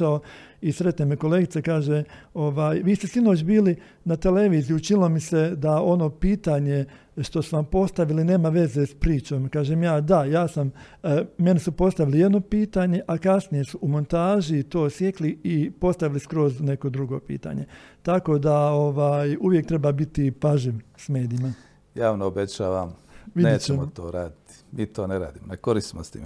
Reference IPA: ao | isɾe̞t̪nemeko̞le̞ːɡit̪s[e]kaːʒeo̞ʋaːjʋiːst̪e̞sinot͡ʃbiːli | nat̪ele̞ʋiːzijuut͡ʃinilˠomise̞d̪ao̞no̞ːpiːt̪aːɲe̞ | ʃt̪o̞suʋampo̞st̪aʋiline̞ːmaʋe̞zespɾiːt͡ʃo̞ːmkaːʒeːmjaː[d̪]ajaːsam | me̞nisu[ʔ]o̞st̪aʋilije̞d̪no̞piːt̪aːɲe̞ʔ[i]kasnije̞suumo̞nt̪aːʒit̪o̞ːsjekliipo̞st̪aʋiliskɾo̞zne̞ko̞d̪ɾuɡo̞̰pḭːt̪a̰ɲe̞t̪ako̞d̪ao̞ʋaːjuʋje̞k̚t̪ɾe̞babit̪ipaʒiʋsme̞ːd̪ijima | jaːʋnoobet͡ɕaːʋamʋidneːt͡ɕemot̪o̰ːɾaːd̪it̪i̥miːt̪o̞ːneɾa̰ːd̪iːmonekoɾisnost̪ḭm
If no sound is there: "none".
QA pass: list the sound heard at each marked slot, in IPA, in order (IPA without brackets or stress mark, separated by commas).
e, d̪, p, a